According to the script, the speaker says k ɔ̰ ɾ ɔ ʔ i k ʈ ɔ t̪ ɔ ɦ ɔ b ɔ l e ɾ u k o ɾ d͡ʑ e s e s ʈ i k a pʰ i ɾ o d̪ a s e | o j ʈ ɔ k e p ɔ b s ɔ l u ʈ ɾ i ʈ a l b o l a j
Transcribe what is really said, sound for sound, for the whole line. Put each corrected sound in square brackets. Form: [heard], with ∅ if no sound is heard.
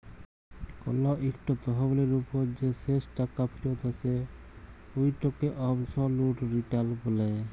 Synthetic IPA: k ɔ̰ [l] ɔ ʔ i k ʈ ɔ t̪ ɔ ɦ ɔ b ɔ l e ɾ u [p] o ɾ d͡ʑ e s e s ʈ [a] k a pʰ i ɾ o [t̪] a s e | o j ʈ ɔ k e [ʔ] ɔ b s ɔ l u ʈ ɾ i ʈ a l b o l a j